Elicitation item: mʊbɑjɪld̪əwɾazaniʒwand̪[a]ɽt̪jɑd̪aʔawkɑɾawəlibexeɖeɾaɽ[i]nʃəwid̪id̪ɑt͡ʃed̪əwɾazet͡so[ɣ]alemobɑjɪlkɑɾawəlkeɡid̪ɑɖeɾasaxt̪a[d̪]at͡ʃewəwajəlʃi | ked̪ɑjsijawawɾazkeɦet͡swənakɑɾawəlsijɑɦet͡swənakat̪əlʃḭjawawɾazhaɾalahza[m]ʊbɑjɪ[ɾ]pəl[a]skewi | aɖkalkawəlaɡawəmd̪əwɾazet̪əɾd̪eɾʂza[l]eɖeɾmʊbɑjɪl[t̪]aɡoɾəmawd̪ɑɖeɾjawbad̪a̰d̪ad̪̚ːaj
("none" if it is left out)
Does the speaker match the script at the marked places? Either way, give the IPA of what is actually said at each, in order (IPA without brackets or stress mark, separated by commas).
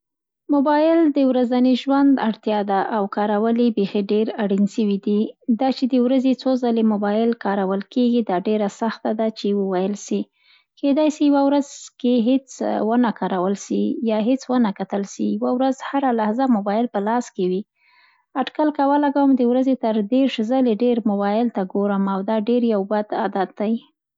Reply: a, i, z, d̪, m, l, ɑ, l, t̪